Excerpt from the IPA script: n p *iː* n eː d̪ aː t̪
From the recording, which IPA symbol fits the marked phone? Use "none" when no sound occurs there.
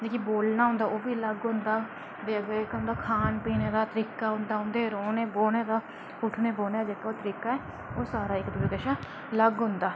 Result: iː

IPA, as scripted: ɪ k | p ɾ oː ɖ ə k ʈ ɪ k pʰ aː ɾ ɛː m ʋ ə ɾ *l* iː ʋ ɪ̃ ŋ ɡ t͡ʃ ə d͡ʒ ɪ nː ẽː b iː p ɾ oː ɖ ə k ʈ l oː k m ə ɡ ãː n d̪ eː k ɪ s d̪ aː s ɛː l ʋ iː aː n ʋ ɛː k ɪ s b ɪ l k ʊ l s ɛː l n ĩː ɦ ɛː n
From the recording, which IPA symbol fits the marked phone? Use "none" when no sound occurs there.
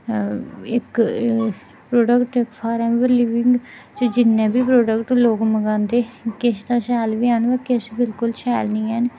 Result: l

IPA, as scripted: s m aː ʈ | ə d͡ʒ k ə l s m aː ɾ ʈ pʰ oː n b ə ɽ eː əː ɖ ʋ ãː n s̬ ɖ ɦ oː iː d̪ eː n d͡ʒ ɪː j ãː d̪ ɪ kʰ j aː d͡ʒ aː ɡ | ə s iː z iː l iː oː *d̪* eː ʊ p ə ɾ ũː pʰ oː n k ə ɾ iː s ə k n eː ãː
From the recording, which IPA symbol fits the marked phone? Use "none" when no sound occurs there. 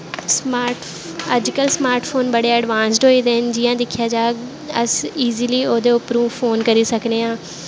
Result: d̪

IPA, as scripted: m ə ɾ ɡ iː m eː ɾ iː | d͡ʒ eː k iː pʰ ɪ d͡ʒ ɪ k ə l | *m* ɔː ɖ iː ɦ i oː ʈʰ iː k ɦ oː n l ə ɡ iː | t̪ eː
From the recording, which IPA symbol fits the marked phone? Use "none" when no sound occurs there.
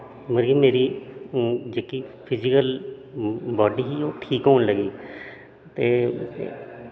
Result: b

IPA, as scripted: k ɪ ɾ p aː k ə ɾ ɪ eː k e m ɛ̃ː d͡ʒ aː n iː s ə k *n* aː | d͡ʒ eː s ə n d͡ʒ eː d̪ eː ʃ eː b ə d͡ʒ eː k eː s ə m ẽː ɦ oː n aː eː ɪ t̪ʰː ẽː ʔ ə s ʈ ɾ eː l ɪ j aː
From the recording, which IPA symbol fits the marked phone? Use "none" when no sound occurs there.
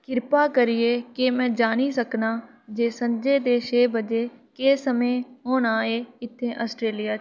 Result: n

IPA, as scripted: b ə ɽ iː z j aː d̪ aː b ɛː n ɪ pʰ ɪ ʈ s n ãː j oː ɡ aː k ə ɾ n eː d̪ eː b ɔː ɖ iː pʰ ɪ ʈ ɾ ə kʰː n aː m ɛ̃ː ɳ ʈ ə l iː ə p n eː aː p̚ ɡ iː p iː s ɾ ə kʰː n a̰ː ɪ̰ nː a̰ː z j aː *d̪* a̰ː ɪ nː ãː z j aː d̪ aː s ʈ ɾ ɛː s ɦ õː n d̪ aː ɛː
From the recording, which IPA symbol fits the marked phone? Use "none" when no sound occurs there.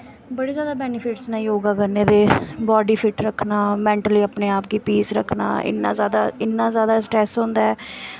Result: d̪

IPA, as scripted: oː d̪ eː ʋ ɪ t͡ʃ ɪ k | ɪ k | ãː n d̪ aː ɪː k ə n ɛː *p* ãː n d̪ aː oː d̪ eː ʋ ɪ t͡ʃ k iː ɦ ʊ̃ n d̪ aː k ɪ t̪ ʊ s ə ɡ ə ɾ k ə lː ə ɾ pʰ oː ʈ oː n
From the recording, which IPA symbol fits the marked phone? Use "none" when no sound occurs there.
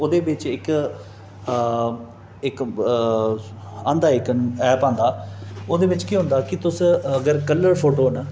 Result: p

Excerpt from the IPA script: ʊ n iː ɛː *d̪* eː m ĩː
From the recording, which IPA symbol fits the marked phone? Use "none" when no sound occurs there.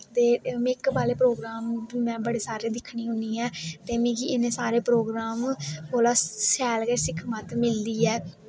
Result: t̪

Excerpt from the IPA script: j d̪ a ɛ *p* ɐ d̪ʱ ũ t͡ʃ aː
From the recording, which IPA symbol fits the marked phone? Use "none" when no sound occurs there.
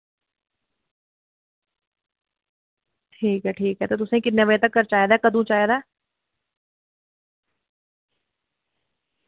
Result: k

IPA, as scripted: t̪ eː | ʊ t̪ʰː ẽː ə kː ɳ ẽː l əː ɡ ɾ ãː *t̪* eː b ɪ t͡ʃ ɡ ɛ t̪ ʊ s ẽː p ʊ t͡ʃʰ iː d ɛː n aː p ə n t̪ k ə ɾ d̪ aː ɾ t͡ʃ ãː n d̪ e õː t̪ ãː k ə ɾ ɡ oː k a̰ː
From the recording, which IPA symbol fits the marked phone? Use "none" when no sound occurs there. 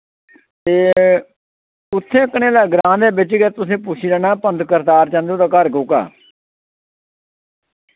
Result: d̪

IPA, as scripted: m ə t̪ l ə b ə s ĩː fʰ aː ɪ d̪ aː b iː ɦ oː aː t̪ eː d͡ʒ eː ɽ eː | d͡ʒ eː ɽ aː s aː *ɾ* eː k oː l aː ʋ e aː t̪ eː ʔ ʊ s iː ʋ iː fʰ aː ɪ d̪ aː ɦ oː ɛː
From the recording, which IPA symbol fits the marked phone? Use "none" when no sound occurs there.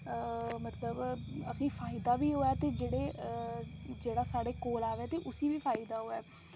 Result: ɽ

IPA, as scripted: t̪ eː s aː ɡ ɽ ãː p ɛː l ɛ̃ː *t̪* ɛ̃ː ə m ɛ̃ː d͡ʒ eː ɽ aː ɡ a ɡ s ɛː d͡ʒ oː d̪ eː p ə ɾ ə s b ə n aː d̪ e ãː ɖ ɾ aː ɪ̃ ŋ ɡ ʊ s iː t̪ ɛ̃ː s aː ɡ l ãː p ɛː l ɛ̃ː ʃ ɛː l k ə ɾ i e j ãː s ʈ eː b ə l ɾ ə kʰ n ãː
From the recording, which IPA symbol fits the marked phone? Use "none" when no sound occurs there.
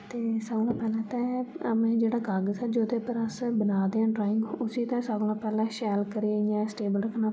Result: t̪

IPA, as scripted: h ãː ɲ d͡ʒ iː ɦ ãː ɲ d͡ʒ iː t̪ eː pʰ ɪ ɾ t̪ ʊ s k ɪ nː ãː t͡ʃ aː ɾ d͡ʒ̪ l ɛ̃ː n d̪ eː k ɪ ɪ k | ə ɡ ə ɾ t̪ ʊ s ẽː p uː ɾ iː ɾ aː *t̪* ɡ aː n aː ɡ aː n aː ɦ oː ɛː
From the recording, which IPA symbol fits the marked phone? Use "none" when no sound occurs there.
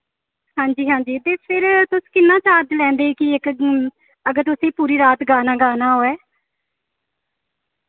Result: t̪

